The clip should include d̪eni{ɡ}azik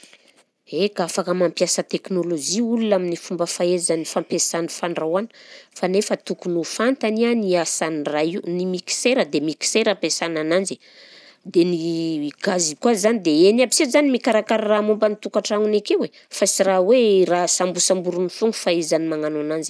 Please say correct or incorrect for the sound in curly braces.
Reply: correct